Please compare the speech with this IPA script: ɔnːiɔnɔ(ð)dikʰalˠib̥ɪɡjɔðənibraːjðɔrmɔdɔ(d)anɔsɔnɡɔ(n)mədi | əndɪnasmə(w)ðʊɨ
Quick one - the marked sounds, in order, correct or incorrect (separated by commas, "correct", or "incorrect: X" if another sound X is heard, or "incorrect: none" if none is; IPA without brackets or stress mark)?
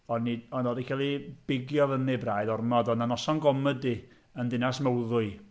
incorrect: none, incorrect: n, incorrect: none, correct